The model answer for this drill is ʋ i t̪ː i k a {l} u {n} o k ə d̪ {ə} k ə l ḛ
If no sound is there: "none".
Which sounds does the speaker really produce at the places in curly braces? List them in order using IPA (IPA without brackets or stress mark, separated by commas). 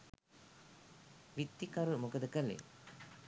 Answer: ɾ, m, ə